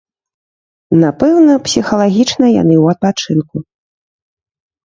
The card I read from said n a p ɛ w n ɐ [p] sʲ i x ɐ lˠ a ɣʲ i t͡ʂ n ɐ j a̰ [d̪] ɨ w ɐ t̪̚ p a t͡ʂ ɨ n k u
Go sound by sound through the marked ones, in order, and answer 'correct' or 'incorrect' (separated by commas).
correct, incorrect